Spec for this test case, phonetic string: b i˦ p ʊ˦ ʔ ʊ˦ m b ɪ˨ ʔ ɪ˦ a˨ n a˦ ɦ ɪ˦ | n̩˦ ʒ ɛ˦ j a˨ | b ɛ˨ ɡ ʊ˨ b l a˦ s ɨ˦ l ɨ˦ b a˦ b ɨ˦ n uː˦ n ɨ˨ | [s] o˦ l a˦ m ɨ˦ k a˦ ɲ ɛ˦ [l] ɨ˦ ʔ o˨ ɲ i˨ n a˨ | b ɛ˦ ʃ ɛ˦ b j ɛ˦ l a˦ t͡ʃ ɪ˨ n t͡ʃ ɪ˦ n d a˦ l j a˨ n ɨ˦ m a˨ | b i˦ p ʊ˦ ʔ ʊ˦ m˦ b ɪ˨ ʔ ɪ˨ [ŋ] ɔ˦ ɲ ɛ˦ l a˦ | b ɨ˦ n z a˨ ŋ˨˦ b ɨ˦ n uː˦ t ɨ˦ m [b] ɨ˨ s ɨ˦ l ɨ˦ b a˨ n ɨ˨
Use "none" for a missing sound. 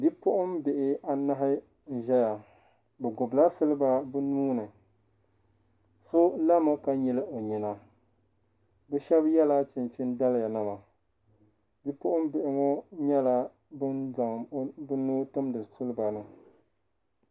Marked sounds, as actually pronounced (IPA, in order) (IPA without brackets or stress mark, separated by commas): s, l, ŋ, d